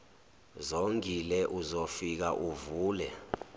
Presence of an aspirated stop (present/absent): absent